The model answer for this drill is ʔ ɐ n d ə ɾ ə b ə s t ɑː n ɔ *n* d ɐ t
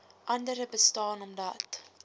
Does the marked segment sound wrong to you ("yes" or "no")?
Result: yes